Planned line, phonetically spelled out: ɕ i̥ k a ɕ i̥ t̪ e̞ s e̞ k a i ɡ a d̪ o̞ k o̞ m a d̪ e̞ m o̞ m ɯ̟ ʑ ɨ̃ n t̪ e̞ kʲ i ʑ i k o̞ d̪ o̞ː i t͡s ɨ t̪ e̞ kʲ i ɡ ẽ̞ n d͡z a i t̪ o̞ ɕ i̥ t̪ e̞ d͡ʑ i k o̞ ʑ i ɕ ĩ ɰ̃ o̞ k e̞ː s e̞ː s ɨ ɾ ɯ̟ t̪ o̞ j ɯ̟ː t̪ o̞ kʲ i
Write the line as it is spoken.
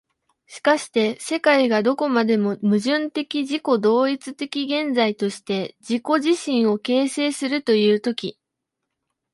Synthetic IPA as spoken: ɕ i̥ k a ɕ i̥ t̪ e̞ s e̞ k a i ɡ a d̪ o̞ k o̞ m a d̪ e̞ m o̞ m ɯ̟ ʑ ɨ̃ n t̪ e̞ kʲ i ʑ i k o̞ d̪ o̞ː i t͡s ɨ t̪ e̞ kʲ i ɡ ẽ̞ n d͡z a i t̪ o̞ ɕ i̥ t̪ e̞ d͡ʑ i k o̞ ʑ i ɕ ĩ ɰ̃ o̞ k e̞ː s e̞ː s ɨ ɾ ɯ̟ t̪ o̞ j ɯ̟ː t̪ o̞ kʲ i